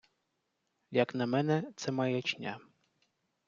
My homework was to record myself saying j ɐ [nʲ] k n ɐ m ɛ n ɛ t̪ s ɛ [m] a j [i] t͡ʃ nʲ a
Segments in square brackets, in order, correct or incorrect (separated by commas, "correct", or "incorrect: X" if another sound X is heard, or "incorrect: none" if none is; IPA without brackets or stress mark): incorrect: none, correct, incorrect: ɛ